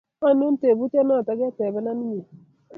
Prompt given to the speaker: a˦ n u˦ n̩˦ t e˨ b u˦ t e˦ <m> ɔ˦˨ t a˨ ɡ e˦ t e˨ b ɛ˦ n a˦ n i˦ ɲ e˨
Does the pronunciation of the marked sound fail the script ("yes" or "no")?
yes